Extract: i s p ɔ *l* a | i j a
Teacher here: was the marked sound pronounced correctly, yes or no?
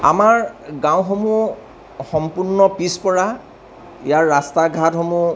no